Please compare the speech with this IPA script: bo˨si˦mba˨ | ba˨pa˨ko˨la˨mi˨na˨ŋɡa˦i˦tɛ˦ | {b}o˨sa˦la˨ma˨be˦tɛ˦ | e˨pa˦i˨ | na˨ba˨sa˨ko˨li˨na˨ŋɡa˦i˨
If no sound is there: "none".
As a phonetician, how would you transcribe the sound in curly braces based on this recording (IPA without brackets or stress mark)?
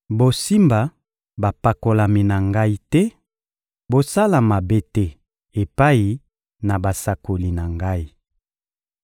b